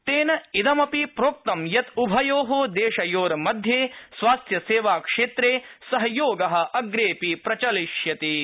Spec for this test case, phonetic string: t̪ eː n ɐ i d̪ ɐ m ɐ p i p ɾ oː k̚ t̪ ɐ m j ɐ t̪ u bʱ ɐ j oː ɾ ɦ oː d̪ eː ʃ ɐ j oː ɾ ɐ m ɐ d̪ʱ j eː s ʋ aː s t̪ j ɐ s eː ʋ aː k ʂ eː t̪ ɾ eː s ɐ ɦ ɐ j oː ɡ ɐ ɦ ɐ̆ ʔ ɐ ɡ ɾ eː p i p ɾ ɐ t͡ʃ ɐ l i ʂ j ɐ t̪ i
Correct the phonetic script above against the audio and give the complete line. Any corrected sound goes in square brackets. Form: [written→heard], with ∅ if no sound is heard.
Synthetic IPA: t̪ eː n ɐ i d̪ ɐ m ɐ p i p ɾ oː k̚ t̪ ɐ m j ɐ t̪ u bʱ ɐ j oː [ɾ→∅] ɦ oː d̪ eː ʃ ɐ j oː ɾ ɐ m ɐ d̪ʱ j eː s ʋ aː s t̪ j ɐ s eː ʋ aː k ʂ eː t̪ ɾ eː s ɐ ɦ ɐ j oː ɡ ɐ ɦ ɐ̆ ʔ ɐ ɡ ɾ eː p i p ɾ ɐ t͡ʃ ɐ l i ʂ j ɐ t̪ i